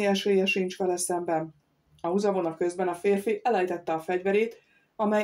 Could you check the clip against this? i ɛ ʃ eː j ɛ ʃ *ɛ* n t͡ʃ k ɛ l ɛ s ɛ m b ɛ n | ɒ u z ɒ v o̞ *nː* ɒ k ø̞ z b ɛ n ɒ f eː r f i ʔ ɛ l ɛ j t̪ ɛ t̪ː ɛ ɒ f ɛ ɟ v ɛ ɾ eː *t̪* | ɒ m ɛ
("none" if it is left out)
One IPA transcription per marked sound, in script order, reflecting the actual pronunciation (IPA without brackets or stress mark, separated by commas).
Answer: i, n, t̪